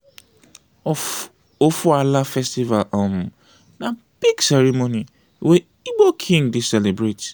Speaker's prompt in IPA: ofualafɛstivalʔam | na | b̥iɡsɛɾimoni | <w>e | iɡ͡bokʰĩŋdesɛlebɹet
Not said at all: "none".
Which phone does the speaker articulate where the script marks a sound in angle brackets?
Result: w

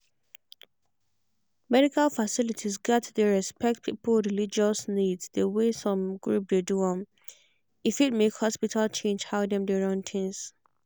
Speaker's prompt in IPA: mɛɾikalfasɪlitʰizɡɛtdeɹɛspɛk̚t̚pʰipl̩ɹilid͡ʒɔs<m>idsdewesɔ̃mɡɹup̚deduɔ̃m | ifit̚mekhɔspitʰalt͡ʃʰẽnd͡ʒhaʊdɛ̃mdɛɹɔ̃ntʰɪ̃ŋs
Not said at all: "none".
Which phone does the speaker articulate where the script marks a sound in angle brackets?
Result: n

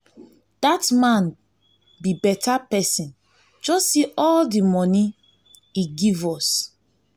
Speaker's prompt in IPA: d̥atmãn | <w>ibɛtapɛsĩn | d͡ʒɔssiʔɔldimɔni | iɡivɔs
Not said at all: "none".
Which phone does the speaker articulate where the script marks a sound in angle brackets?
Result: b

